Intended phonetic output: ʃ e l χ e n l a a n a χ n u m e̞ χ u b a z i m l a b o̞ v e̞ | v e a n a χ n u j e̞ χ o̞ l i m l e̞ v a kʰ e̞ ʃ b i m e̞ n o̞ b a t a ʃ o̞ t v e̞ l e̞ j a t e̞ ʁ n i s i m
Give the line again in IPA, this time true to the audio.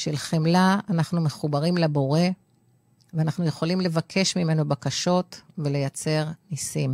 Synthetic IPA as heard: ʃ e l χ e m l a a n a χ n u m e̞ χ u b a ʁ i m l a b o̞ ʁ e̞ | v e a n a χ n u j e̞ χ o̞ l i m l e̞ v a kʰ e̞ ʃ m i m e̞ n o̞ b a k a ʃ o̞ t v e̞ l e̞ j a t͡s e̞ ʁ n i s i m